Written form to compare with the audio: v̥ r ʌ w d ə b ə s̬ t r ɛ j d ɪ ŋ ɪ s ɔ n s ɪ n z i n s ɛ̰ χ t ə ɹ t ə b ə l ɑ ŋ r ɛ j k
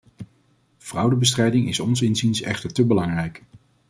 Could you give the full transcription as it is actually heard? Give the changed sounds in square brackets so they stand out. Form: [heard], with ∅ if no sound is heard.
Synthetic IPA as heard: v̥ r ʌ w d ə b ə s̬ t r ɛ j d ɪ ŋ ɪ s ɔ n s ɪ n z i n s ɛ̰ χ t ə ɹ t ə b ə l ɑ ŋ r ɛ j k